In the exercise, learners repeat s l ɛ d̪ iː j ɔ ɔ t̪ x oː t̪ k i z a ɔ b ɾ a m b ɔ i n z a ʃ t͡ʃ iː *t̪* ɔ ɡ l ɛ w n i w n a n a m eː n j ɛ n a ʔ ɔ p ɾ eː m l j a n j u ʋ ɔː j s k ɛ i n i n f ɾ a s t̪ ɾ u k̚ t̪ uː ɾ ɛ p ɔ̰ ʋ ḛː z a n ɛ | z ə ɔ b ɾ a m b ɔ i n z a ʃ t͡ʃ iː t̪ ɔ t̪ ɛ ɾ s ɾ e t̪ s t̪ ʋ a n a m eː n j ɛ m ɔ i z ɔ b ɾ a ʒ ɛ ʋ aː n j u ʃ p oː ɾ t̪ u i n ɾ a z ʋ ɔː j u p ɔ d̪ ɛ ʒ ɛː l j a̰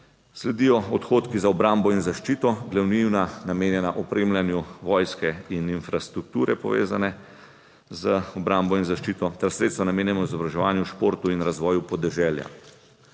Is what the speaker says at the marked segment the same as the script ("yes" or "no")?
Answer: yes